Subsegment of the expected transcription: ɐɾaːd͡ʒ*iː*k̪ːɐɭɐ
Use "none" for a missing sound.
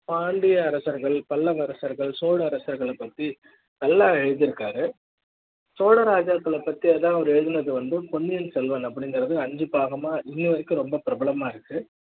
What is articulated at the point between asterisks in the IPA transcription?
aː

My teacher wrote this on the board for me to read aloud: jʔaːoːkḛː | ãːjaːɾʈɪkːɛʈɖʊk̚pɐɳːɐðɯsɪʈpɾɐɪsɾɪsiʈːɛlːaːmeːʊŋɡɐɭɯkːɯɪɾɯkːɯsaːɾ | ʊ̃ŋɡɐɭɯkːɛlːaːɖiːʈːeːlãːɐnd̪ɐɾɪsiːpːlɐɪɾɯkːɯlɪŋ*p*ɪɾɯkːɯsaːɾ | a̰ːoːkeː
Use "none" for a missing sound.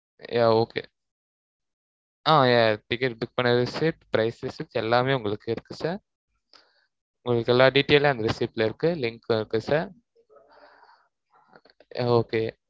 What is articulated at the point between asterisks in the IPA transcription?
k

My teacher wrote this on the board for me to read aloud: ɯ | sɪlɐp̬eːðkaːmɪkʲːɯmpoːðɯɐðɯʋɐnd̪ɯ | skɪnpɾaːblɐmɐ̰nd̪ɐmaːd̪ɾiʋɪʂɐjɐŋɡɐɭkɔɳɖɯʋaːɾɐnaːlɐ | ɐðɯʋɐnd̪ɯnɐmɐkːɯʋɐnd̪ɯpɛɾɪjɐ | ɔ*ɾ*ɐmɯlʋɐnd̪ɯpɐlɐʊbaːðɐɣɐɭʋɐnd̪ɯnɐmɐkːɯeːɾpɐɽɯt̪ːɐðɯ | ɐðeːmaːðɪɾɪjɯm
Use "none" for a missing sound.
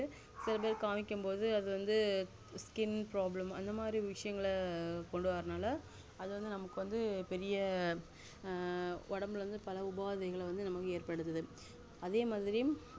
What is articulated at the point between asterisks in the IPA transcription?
ɽ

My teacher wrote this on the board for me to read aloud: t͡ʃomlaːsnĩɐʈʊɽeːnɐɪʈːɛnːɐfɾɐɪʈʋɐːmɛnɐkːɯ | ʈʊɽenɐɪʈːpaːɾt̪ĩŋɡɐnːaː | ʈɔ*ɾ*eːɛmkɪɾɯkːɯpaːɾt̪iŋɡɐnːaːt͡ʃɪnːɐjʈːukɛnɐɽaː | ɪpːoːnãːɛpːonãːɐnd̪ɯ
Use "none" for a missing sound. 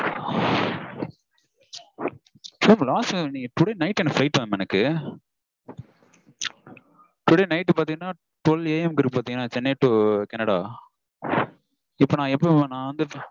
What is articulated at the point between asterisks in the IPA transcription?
l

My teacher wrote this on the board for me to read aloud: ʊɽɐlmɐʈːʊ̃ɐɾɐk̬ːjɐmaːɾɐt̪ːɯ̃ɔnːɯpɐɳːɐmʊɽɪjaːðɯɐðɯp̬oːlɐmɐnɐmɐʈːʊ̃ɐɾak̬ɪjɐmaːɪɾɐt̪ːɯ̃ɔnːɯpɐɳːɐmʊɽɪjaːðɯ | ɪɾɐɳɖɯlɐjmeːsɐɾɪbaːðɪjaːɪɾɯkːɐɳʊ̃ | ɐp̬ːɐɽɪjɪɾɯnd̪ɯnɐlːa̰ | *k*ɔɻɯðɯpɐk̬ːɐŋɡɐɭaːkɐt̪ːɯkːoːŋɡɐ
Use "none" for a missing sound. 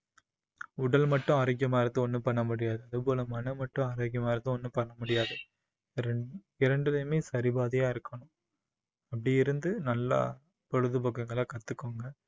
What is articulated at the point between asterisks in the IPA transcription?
p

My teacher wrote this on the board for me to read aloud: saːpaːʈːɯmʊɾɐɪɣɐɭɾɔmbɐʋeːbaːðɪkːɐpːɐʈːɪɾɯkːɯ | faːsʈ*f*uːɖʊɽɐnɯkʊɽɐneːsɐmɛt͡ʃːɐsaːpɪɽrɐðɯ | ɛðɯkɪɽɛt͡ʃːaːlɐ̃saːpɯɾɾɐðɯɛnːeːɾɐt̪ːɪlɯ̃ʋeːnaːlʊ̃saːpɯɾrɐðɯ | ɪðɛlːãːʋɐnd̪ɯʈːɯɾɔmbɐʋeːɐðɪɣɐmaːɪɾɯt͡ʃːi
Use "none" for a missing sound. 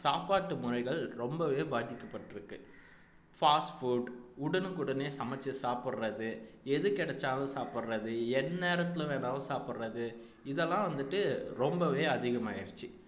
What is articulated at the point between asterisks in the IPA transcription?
f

